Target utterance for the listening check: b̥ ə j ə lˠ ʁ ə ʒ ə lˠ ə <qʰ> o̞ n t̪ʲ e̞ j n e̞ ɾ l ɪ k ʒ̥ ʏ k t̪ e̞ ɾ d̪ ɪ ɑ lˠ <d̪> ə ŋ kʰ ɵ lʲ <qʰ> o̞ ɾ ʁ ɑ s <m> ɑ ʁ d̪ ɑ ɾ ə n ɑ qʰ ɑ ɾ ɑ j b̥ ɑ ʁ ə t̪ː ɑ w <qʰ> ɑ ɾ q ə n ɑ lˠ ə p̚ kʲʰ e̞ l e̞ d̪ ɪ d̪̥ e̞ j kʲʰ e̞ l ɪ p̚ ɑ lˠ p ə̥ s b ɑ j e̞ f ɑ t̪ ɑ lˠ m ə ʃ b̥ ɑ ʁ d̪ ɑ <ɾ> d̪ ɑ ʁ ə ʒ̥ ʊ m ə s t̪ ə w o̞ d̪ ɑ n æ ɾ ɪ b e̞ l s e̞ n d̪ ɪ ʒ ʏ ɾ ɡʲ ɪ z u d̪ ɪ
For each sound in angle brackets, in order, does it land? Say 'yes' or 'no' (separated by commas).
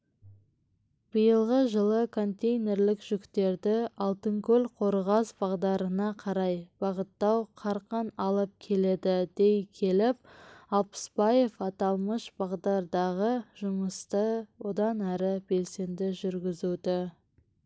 no, no, yes, no, yes, yes